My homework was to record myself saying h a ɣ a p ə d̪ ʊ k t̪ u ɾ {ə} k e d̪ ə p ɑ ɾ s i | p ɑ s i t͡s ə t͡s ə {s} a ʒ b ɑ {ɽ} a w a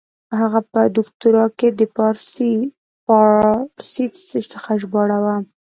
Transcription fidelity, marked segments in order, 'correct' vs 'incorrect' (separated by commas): incorrect, incorrect, correct